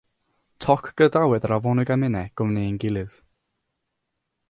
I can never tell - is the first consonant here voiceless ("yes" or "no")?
yes